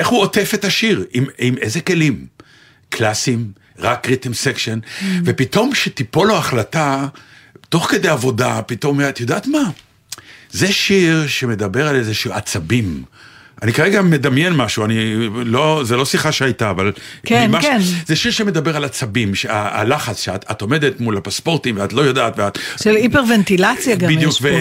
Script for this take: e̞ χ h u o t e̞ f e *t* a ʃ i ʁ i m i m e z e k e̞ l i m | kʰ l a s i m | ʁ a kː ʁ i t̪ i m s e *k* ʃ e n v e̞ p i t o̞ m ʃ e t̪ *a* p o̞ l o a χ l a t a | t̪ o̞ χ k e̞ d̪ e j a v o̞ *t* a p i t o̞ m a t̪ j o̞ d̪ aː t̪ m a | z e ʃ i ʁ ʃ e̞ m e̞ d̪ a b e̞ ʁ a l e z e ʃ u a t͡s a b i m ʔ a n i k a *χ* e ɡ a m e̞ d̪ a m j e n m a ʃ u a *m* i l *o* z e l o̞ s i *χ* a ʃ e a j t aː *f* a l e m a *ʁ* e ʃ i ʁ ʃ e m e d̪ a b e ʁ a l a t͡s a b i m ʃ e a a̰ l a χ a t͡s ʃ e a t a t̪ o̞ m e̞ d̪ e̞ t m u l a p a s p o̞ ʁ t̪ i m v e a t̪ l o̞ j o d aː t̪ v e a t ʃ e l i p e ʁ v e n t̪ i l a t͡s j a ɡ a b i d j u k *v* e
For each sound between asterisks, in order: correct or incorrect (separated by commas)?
correct, correct, incorrect, incorrect, incorrect, incorrect, correct, correct, incorrect, incorrect, correct